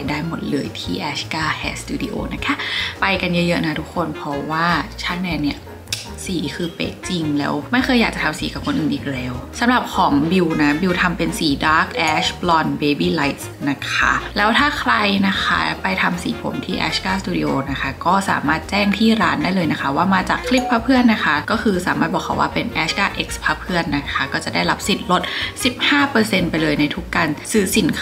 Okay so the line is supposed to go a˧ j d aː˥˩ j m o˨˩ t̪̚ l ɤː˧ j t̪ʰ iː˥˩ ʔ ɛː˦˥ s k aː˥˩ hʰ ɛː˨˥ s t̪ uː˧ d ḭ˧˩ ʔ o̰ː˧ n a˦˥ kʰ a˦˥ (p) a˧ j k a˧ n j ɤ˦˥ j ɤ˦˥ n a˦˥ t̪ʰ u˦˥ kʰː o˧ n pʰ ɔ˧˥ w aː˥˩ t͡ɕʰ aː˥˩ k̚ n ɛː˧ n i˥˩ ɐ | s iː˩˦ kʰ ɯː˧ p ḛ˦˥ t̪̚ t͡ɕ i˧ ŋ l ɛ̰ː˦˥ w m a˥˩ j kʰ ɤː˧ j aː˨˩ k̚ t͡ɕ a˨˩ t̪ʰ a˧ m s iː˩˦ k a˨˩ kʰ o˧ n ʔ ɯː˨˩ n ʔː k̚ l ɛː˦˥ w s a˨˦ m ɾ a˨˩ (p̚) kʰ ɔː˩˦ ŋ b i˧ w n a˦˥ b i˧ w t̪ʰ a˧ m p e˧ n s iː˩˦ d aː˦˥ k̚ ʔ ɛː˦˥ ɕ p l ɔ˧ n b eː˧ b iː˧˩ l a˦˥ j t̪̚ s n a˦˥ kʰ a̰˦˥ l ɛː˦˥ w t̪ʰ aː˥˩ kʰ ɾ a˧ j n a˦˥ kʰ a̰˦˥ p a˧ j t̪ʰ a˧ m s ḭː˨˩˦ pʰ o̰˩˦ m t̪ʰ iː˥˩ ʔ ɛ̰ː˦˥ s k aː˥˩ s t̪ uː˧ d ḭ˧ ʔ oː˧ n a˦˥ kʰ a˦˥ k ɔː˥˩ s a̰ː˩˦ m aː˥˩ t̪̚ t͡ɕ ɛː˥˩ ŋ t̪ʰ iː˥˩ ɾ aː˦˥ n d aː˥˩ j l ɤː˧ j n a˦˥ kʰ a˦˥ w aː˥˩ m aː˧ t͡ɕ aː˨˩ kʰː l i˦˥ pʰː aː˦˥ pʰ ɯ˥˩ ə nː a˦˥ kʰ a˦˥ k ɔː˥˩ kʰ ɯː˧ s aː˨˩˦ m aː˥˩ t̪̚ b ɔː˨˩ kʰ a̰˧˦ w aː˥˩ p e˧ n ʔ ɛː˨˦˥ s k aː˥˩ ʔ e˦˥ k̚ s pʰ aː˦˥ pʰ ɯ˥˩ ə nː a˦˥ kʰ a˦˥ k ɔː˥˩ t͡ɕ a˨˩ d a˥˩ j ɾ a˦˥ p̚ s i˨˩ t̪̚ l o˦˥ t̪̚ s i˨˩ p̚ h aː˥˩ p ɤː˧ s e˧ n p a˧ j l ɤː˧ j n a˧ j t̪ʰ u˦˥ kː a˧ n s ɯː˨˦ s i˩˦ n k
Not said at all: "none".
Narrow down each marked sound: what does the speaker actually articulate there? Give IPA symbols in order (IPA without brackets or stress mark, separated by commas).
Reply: p, p̚